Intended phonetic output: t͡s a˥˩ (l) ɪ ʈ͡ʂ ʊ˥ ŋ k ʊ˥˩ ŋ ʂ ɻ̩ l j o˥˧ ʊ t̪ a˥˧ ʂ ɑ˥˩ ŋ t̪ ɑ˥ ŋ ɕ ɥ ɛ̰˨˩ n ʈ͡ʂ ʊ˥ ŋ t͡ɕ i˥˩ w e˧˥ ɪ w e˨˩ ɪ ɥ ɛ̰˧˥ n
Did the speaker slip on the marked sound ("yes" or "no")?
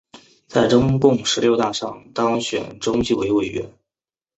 yes